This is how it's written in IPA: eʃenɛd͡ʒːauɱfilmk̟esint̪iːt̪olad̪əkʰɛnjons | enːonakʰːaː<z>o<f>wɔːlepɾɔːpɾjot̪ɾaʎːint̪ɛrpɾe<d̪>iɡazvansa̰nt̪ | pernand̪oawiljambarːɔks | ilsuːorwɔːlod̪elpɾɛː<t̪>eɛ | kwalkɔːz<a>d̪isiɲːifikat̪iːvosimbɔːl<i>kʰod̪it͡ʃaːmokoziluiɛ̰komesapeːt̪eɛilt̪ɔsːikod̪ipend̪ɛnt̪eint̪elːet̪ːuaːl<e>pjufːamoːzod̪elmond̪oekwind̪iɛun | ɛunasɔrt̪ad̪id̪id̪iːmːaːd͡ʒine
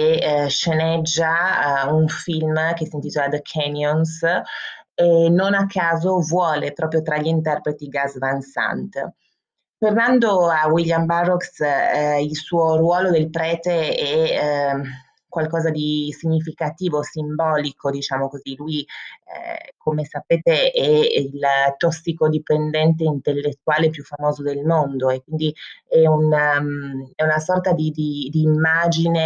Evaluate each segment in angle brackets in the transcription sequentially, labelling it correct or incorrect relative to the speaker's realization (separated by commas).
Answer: correct, incorrect, incorrect, correct, correct, correct, correct